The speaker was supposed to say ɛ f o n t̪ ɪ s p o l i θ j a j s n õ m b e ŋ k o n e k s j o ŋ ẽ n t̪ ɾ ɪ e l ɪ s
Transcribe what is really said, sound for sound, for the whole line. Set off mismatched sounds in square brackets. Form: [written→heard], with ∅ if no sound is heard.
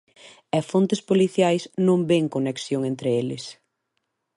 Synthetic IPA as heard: ɛ f o n t̪ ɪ s p o l i θ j a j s n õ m b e ŋ k o n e k s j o ŋ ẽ n t̪ ɾ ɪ e l ɪ s